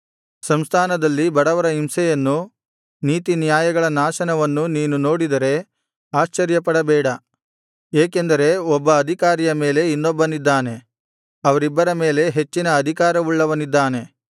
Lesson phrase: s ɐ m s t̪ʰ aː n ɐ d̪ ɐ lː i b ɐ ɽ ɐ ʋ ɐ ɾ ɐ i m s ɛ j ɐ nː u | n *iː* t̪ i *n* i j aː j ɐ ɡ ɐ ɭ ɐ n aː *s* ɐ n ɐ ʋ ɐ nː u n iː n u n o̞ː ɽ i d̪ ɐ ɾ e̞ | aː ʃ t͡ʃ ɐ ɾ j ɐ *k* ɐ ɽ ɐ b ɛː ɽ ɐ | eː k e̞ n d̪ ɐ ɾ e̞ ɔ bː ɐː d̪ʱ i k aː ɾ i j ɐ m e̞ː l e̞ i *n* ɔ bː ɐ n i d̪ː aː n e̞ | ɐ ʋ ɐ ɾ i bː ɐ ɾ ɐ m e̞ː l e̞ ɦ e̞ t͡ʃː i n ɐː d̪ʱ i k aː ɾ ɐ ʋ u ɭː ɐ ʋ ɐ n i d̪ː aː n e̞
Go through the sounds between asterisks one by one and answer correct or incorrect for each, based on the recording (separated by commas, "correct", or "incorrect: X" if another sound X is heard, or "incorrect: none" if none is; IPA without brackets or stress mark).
correct, correct, incorrect: ʃ, incorrect: p, incorrect: nː